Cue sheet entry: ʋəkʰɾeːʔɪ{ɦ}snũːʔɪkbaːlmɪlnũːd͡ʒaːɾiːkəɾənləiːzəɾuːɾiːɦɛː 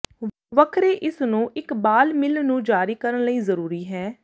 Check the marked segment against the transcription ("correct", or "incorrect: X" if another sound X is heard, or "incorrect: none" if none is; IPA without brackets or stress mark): incorrect: none